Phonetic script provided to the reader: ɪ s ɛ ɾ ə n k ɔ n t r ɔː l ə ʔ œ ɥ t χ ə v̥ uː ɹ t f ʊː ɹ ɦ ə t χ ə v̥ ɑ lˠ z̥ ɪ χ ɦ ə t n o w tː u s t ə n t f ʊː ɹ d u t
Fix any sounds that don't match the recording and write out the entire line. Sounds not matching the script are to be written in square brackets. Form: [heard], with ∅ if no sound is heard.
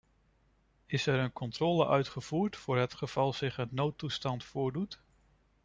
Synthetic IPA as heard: ɪ s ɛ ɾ ə n k ɔ n t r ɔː l ə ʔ œ ɥ t χ ə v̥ uː ɹ t f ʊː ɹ ɦ ə t χ ə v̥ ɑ lˠ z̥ ɪ χ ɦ ə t n o w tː u s t [ɑ] n t f ʊː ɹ d u t